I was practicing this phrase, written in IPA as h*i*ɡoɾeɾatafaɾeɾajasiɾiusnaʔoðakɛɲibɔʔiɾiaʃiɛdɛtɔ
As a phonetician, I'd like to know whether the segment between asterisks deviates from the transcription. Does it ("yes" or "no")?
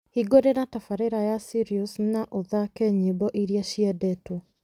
no